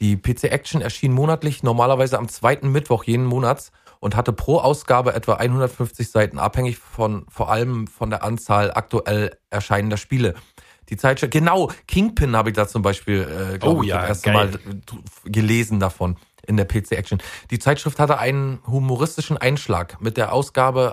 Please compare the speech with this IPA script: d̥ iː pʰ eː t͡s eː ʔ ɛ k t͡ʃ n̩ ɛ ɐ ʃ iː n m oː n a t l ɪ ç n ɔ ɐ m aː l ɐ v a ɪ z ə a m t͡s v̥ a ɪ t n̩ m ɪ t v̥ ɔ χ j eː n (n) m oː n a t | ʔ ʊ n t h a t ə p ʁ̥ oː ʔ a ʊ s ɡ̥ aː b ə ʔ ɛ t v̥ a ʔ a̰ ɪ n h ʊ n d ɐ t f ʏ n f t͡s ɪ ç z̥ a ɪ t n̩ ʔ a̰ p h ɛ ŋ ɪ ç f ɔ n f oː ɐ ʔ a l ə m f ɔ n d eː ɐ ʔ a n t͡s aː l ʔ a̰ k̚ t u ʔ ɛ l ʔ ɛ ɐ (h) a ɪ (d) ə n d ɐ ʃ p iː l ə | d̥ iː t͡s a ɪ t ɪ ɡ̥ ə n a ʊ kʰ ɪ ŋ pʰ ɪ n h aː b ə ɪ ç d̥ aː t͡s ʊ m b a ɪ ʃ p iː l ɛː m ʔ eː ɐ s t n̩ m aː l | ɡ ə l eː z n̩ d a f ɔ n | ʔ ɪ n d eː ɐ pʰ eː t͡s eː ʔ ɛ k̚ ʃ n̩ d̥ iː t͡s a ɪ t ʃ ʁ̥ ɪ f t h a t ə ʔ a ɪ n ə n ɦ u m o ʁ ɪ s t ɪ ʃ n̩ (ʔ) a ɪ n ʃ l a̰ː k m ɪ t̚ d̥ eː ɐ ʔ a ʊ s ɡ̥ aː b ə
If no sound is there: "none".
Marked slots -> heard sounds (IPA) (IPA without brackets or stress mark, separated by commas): n, ʃ, n, ʔ